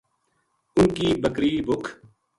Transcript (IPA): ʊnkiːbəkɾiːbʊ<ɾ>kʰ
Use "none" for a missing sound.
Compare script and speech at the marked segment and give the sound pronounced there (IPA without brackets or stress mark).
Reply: none